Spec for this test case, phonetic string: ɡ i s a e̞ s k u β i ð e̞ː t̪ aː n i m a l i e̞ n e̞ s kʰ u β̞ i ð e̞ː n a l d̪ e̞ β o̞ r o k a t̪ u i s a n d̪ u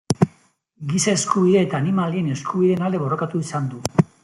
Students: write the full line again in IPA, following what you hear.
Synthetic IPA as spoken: ɡ i s a e̞ s k u β i ð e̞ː t̪ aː n i m a l i e̞ n e̞ s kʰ u β̞ i ð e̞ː n a l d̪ e̞ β o̞ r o k a t̪ u i s a n d̪ u